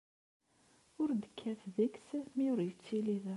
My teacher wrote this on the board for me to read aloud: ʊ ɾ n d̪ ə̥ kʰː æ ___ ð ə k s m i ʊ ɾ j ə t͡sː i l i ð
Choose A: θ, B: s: A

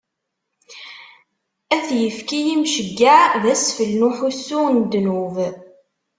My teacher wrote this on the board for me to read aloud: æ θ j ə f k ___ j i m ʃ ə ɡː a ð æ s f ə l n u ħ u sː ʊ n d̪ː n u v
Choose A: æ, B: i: B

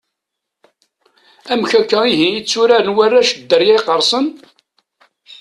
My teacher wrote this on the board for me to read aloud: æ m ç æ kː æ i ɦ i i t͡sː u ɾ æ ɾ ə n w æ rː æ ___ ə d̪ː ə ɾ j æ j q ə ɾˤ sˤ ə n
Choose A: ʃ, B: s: A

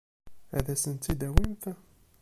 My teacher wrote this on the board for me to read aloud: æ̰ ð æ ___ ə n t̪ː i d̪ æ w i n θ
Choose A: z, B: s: B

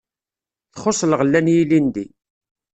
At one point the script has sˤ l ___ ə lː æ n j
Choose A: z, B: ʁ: B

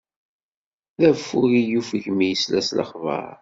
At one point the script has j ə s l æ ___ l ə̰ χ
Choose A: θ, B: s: B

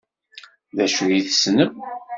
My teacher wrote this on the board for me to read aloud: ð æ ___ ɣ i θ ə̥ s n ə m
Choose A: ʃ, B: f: A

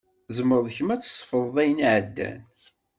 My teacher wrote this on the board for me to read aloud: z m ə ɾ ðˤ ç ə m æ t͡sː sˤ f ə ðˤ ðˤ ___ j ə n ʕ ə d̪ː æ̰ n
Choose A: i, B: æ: B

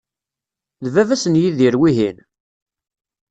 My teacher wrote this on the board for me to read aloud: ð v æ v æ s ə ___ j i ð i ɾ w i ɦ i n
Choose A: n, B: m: A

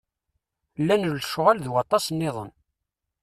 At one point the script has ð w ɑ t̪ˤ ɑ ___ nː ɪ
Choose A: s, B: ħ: A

